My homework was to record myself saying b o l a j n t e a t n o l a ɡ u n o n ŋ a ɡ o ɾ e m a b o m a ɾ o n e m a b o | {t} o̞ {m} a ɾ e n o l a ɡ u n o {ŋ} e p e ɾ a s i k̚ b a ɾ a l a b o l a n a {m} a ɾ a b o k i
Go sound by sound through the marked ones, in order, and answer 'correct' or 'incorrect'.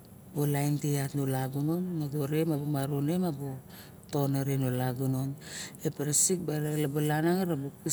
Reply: correct, incorrect: n, incorrect: n, incorrect: ŋ

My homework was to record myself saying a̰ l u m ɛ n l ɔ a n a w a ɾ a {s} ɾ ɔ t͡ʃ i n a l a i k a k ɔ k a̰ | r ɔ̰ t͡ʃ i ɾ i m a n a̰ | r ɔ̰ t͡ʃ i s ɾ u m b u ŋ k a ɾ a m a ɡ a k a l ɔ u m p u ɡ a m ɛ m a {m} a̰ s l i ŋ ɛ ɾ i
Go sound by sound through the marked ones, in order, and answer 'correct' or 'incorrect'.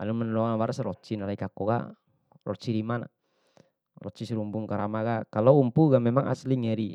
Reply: correct, incorrect: ŋ

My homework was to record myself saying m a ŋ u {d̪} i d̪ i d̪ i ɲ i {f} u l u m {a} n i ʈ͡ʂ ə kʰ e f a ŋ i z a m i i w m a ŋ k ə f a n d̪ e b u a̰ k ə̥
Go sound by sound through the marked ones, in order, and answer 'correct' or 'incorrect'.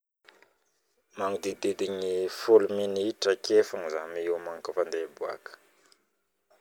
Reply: correct, correct, incorrect: i

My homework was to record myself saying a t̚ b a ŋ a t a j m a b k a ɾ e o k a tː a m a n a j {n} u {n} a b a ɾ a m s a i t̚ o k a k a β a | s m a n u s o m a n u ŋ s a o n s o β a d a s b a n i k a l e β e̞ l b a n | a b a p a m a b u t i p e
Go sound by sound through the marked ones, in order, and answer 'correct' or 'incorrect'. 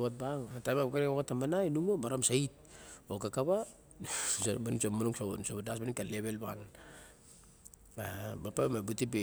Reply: correct, incorrect: m

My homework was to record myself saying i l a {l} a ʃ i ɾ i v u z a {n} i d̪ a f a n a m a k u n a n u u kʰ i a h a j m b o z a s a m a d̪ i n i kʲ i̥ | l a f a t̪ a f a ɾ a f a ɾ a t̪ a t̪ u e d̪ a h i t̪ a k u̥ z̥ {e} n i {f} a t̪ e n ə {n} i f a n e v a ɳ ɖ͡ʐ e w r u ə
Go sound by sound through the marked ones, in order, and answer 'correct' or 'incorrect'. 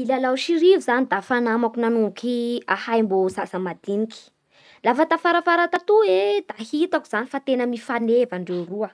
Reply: correct, correct, incorrect: a, correct, incorrect: m

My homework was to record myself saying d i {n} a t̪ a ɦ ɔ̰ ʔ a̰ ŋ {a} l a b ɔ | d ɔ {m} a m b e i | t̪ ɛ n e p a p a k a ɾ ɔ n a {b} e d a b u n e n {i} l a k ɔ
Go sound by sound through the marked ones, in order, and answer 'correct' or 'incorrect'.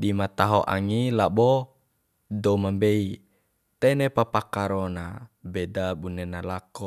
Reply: incorrect: m, incorrect: i, correct, correct, incorrect: a

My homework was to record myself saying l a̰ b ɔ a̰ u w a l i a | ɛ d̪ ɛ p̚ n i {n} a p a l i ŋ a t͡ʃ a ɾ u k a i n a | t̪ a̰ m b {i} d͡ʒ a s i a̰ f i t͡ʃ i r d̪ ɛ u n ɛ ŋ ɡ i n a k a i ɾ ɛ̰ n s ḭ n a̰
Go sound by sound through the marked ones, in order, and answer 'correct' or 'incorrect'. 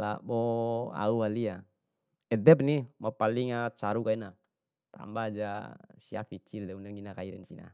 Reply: incorrect: m, incorrect: a

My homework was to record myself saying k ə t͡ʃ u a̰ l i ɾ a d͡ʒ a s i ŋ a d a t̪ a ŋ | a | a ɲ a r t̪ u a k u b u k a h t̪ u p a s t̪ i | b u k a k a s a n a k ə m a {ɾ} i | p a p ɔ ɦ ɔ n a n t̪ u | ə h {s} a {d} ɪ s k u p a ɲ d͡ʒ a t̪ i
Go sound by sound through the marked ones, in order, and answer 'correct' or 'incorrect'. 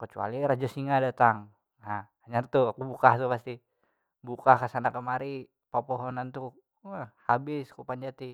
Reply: correct, incorrect: h, incorrect: b

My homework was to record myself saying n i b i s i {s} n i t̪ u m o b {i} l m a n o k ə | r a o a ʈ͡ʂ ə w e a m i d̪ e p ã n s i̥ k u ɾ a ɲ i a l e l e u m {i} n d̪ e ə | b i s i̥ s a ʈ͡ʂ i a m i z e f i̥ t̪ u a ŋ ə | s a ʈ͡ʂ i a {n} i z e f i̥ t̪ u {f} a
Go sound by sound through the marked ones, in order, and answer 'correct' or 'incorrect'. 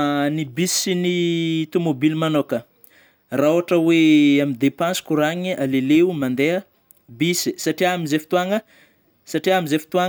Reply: incorrect: none, correct, incorrect: a, incorrect: m, incorrect: none

